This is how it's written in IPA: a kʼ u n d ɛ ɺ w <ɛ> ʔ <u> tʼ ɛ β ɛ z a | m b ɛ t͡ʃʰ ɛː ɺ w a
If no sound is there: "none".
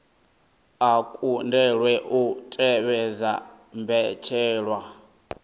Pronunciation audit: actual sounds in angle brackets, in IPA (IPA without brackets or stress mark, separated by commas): ɛ, u